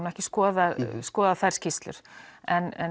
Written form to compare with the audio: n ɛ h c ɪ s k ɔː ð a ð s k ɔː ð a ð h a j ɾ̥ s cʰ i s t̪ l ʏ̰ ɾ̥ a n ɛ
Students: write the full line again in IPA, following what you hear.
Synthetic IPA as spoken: n ɛ h c ɪ s k ɔː ð a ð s k ɔː ð a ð θ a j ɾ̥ s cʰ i s t̪ l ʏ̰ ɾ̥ ɛ n ɛ